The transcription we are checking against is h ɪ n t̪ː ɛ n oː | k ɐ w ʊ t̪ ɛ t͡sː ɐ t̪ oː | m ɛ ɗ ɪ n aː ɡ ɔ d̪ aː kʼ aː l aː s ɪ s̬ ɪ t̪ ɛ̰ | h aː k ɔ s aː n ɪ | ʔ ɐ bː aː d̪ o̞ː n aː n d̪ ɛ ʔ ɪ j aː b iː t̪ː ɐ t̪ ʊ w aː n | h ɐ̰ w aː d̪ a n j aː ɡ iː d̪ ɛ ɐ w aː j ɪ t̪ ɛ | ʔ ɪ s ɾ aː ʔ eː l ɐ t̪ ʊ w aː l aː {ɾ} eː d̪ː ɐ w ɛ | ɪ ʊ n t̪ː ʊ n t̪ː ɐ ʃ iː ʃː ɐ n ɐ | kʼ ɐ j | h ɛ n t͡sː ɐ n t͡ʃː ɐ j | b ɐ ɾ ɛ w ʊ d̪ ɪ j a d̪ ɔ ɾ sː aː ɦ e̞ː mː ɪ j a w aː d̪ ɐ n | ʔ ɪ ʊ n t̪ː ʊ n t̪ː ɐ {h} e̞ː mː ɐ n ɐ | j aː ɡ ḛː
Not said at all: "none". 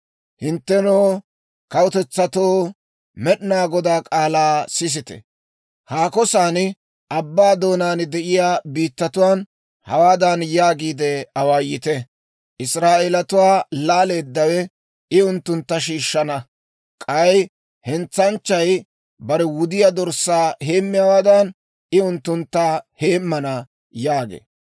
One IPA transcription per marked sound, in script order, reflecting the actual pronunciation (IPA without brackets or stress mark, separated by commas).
l, h